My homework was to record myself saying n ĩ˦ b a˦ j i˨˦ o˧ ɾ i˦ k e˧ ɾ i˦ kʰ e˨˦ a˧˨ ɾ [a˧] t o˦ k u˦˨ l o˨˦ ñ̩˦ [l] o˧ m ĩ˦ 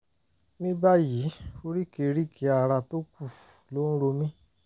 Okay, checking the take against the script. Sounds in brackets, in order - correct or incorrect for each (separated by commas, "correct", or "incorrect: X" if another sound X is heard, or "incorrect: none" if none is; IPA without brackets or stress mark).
correct, incorrect: ɾ